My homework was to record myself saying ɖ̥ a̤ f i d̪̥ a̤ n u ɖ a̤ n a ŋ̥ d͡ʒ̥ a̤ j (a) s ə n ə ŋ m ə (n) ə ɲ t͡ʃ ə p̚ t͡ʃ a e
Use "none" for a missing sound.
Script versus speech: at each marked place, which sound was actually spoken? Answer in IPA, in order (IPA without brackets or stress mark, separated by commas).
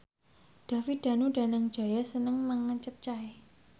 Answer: a, ŋ